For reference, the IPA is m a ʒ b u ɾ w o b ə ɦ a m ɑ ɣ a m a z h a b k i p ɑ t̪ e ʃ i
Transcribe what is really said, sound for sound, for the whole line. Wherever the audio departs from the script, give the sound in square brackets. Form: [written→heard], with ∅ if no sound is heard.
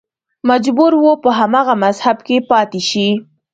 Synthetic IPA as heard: m a [ʒ→d͡ʒ] b u ɾ w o [b→p] ə ɦ a m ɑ ɣ a m a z h a b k [i→e] p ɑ t̪ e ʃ i